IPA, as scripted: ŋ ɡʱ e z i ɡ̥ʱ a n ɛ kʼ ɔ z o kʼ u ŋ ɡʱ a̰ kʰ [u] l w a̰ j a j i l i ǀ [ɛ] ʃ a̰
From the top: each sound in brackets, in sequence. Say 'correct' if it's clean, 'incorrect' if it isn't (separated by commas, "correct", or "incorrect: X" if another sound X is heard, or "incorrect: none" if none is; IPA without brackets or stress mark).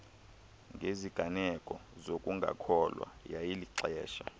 incorrect: ɔ, incorrect: ɛː